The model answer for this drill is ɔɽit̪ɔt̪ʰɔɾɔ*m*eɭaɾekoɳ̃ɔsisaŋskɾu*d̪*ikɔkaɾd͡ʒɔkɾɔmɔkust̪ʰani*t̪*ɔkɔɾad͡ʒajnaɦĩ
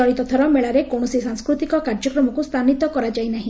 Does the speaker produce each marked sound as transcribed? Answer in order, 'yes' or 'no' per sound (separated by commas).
yes, no, yes